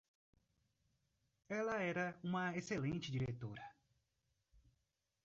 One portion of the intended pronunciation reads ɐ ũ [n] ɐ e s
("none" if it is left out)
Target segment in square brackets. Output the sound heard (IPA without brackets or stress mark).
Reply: m